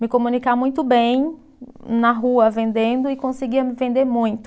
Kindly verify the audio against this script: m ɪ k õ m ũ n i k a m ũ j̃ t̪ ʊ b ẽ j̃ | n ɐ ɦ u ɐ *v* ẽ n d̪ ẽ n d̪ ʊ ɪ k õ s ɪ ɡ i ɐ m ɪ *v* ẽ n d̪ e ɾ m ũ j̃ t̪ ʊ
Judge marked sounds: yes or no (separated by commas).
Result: yes, yes